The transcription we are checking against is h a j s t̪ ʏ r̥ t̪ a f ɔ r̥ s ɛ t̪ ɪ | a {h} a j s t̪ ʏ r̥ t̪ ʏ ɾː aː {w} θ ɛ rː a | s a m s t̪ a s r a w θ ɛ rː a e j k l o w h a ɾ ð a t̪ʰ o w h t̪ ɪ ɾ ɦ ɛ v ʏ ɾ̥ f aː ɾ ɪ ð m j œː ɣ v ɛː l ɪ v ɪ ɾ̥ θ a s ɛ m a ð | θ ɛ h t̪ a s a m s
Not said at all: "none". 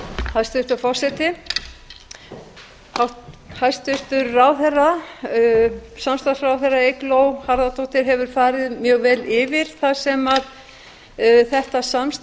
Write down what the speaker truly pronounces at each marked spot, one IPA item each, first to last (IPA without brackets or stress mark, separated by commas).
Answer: h, w